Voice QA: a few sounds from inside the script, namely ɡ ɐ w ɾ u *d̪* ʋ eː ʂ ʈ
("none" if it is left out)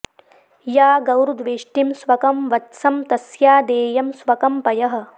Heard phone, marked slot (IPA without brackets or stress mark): d̪